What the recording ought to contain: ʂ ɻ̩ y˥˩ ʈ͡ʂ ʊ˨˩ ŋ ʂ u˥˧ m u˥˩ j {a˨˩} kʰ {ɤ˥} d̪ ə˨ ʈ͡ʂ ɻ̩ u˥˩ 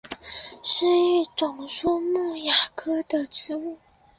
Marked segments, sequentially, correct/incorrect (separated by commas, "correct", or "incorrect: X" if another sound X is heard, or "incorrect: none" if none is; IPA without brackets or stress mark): correct, correct